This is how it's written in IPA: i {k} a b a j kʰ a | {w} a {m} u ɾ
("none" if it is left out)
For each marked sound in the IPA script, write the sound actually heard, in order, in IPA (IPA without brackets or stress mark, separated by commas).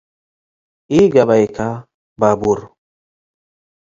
ɡ, b, b